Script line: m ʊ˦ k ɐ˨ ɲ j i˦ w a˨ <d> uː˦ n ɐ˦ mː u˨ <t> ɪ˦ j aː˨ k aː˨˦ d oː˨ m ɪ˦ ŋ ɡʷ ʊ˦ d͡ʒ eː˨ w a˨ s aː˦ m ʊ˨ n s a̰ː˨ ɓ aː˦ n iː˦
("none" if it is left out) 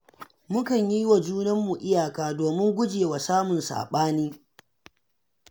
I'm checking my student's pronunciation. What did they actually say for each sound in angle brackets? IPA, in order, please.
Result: d͡ʒ, ʔ

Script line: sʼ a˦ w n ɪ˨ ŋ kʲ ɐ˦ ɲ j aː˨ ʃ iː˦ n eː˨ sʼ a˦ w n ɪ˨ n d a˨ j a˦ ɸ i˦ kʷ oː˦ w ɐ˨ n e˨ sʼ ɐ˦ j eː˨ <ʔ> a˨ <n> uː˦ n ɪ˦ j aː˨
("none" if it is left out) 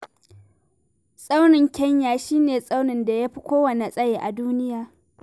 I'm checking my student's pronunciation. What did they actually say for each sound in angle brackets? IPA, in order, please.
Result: ʔ, d

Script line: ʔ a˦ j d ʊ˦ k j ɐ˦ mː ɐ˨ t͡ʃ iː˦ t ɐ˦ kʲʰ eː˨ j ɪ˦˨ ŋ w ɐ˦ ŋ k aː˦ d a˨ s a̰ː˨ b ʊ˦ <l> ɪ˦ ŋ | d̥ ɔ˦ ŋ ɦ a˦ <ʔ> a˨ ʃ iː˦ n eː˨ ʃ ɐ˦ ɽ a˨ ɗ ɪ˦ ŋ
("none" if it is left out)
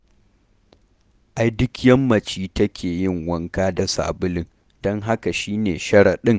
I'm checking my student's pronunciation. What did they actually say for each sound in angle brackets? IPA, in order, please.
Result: l, k

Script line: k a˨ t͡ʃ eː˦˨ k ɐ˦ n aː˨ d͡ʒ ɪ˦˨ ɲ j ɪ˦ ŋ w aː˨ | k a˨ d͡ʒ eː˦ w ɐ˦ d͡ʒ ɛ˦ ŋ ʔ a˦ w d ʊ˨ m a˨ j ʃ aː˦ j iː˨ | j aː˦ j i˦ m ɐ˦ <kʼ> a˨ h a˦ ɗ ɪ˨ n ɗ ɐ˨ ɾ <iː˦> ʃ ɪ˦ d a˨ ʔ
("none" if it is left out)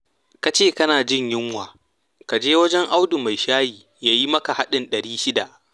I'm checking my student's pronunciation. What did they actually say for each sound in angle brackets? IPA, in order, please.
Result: k, iː˦

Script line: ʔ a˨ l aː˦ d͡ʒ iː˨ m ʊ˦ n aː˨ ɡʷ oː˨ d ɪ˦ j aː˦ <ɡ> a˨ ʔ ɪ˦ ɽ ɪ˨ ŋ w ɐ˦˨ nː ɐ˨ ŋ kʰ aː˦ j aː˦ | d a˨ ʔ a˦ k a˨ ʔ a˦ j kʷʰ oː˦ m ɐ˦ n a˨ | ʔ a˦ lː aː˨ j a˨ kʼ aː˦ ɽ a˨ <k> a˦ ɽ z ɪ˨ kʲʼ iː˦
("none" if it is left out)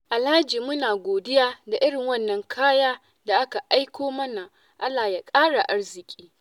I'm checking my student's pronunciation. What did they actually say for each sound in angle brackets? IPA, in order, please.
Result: d, ʔ

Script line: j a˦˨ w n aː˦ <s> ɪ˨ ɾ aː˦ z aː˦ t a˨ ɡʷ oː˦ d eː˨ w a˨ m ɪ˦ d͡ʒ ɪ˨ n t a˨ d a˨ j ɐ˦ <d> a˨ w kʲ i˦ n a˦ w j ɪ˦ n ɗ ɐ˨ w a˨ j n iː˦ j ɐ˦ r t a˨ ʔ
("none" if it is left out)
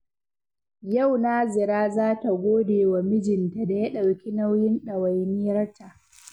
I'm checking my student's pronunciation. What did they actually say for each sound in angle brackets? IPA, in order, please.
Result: z, ɗ

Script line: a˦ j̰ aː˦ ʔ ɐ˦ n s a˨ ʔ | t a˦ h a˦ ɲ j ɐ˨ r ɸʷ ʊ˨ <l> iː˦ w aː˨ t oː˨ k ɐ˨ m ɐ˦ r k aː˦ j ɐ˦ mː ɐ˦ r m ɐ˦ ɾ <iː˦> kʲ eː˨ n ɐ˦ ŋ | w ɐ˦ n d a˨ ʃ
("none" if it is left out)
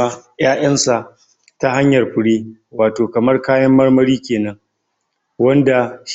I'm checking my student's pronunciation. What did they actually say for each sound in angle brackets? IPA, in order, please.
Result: ɽ, iː˦

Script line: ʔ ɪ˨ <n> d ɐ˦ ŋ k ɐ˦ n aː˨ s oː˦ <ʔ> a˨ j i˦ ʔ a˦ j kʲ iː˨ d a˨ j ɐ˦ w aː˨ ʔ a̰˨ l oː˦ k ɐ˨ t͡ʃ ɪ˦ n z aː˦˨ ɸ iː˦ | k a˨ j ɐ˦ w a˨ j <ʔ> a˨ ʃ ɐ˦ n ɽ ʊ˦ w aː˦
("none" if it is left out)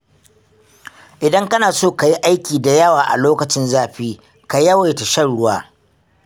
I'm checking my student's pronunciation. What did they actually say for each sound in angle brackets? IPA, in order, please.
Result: none, k, t

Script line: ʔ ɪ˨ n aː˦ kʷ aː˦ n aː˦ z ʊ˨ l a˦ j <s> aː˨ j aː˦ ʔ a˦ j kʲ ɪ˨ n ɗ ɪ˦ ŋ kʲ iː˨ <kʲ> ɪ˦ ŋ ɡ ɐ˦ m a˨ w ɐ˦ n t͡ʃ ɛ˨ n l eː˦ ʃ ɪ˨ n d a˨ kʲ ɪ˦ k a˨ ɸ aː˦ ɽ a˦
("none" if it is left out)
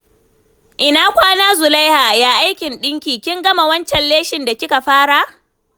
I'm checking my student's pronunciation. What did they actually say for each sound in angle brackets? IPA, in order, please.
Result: h, kʲ

